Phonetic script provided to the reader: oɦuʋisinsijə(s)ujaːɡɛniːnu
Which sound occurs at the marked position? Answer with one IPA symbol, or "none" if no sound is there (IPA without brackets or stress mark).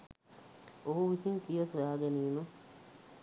s